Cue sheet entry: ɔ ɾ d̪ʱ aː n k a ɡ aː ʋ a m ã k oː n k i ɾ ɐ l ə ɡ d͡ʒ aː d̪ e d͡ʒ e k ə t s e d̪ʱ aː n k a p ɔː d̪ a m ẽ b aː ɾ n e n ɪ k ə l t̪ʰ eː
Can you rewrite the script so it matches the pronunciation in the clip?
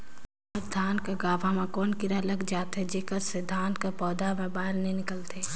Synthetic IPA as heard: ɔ ɾ d̪ʱ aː n k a ɡ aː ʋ a m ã k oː n k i ɾ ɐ l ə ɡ d͡ʒ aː t̪ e d͡ʒ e k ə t s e d̪ʱ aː n k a p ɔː d̪ a m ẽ b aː ɾ n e n ɪ k ə l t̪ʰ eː